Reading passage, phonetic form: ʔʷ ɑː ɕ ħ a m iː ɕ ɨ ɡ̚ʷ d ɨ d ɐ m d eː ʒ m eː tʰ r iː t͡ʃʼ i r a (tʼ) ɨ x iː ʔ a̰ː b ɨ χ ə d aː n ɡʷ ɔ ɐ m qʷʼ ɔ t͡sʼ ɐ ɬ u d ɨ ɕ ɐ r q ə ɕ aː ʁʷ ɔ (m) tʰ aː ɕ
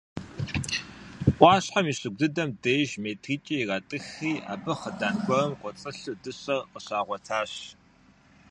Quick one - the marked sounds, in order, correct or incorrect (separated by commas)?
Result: correct, incorrect